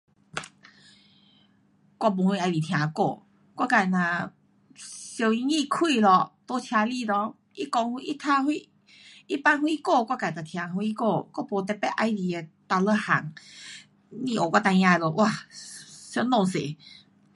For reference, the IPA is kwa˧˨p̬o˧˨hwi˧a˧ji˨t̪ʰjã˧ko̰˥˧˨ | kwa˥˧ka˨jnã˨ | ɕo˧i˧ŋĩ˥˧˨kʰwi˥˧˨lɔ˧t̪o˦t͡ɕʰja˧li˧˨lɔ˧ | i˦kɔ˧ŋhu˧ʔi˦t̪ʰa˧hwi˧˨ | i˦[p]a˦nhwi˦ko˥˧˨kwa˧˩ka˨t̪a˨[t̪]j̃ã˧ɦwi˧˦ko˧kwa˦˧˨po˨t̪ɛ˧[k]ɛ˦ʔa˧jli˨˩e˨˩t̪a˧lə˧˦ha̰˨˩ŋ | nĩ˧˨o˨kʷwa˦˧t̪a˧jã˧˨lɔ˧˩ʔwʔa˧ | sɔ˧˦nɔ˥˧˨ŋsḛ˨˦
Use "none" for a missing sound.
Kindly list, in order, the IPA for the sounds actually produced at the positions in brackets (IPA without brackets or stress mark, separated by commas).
p, t̪ʰ, p